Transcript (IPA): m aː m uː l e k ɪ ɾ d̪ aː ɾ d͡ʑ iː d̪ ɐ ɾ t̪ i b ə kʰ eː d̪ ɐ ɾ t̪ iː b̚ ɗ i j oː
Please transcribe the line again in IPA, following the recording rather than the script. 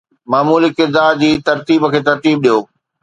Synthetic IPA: m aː m uː l i k ɪ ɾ d̪ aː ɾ d͡ʑ iː t̪ ɐ ɾ t̪ iː b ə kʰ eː t̪ ɐ ɾ t̪ iː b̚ ɗ i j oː

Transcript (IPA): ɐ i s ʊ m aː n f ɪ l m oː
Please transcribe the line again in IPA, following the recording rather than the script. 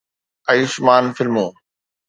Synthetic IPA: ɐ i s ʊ m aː n f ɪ l m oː

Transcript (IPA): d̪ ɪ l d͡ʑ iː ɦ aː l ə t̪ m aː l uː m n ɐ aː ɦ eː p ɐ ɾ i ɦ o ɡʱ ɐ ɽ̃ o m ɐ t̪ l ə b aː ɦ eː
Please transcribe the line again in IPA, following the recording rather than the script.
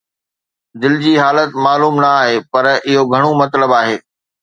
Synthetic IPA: d̪ ɪ l d͡ʑ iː ɦ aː l ə t̪ m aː l uː m n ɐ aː ɦ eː p ɐ ɾ ɪ ɦ o ɡʱ ɐ ɽ̃ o m ɐ t̪ l ə b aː ɦ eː

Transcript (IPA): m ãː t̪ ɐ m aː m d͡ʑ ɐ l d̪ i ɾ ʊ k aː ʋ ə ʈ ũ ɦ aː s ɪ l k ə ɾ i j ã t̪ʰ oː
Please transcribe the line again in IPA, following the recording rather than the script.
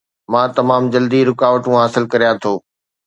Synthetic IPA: m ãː t̪ ɐ m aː m d͡ʑ ɐ l d̪ i ɾ ʊ k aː ʋ ə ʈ ũ ɦ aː s ɪ l k ɐ ɾ i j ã t̪ʰ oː

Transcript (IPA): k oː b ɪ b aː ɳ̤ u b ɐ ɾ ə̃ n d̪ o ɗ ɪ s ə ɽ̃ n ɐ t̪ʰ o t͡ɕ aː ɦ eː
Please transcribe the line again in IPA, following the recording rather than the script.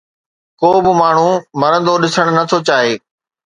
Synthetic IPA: k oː b ɪ m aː ɳ̤ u m ɐ ɾ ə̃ n d̪ o ɗ ɪ s ə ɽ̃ n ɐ t̪ʰ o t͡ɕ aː ɦ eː

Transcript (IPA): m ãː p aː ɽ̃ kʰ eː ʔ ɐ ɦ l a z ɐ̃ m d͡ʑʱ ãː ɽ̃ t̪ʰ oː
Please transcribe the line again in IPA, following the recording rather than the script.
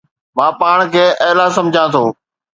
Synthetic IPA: m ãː p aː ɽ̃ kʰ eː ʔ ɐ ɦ l a s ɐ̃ m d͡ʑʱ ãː t̪ʰ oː

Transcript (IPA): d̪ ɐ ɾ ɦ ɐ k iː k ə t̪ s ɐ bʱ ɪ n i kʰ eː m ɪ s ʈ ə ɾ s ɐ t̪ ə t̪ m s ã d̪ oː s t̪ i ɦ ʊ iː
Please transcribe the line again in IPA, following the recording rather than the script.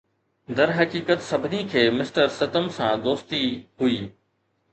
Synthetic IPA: d̪ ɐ ɾ ɦ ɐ k iː k ə t̪ s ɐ bʱ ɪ n i kʰ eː m ɪ s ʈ ə ɾ s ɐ t̪ ə m s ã d̪ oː s t̪ i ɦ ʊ iː

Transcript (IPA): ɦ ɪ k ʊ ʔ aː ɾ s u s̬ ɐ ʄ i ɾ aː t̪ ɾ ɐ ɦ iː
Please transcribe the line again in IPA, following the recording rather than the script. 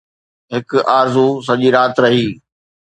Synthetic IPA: ɦ ɪ k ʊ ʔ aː ɾ z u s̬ ɐ ʄ i ɾ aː t̪ ɾ ɐ ɦ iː

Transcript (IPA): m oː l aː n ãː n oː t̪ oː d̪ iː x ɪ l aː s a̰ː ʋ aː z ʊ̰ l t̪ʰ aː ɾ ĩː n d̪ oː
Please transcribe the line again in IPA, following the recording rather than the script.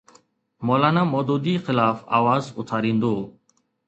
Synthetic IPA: m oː l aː n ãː m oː d̪ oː d̪ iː x ɪ l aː f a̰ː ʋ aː z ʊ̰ t̪ʰ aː ɾ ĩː n d̪ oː

